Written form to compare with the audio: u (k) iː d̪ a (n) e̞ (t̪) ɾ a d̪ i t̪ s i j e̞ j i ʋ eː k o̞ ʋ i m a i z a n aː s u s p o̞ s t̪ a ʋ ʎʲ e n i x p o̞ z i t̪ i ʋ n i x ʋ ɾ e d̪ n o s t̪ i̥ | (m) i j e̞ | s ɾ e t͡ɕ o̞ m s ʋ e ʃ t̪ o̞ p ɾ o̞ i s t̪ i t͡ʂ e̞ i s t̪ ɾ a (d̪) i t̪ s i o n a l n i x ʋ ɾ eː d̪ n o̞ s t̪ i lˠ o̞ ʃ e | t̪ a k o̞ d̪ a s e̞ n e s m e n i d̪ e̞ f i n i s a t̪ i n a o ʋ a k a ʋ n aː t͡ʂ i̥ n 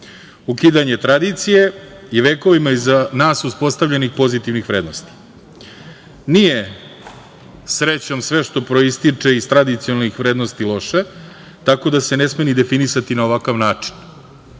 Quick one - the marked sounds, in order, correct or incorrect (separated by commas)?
correct, incorrect, correct, incorrect, correct